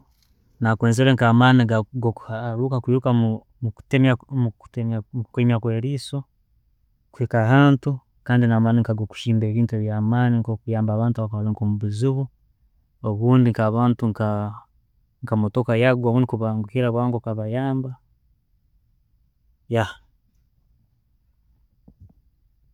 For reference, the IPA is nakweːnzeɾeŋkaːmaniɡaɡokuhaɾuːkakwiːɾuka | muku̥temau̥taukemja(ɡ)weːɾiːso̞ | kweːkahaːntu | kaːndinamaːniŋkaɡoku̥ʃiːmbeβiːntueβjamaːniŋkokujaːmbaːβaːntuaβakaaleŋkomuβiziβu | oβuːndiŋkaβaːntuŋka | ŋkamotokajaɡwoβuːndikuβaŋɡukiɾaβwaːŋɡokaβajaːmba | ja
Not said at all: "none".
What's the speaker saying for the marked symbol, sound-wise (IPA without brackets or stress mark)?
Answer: k